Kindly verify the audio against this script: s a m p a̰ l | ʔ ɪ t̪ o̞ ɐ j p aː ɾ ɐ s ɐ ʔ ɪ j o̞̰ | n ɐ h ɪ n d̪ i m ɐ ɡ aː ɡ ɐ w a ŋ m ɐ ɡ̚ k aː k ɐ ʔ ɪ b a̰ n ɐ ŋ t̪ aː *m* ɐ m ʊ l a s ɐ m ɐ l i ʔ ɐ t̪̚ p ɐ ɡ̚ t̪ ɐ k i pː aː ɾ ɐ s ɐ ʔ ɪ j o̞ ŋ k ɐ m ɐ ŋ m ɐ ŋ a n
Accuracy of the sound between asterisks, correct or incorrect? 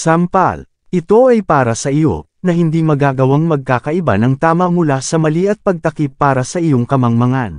correct